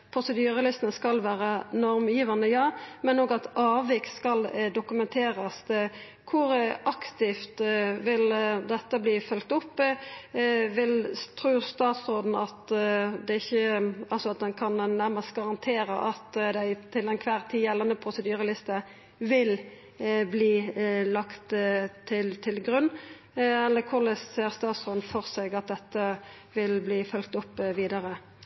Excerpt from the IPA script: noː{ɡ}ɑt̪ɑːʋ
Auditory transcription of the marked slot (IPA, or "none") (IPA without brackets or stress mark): ɡ